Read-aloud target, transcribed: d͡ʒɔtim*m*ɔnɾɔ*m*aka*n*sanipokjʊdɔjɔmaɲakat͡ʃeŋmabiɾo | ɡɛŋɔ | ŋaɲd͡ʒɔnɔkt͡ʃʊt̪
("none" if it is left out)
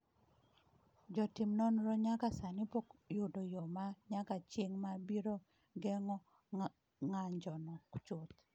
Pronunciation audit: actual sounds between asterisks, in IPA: n, ɲ, none

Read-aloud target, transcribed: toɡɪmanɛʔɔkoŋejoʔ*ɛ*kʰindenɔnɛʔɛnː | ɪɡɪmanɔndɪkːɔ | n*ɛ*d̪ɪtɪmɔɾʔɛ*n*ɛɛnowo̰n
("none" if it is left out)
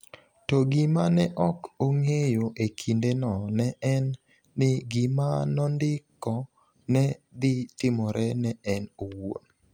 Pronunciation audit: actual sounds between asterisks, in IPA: e, ɛ, n

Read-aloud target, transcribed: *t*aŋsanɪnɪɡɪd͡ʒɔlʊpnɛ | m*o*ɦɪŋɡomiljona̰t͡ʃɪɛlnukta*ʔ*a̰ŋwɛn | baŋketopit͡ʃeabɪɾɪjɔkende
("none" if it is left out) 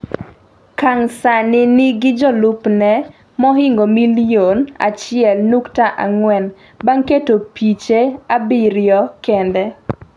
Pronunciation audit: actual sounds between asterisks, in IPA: k, ɔ, ʔ

